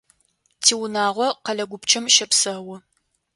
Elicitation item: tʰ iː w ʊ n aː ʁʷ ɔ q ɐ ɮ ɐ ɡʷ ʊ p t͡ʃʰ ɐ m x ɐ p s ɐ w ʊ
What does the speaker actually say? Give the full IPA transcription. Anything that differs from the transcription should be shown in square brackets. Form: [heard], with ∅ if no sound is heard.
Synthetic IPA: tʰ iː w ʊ n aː ʁʷ ɔ q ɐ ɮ ɐ ɡʷ ʊ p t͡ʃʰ ɐ m [ʃ] ɐ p s ɐ w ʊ